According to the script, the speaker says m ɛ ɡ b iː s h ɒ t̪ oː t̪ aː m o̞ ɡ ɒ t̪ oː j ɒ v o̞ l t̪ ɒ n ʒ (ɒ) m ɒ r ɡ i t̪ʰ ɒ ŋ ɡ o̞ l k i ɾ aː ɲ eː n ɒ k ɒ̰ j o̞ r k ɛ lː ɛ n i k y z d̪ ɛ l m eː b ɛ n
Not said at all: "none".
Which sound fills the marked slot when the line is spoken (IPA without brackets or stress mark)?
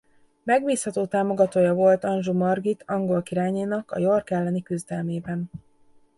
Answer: u